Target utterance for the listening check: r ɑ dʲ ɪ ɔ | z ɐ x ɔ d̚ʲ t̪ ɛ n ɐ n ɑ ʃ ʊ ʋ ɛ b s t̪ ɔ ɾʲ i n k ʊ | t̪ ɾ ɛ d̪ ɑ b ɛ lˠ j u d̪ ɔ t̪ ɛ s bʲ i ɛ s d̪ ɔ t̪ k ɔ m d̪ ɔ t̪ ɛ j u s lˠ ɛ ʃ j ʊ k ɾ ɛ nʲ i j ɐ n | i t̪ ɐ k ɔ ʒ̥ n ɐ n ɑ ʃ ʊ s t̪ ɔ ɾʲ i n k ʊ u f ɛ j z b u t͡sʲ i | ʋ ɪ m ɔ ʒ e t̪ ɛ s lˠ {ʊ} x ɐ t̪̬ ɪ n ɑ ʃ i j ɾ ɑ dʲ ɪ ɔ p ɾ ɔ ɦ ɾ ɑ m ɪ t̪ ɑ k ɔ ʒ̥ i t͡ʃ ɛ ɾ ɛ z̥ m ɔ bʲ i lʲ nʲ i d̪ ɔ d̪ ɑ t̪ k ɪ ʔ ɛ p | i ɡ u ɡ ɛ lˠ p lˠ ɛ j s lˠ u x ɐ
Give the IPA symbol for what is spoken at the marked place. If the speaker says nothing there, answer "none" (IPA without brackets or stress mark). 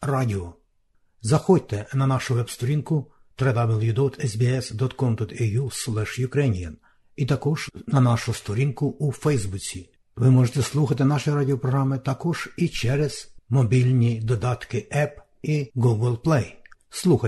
u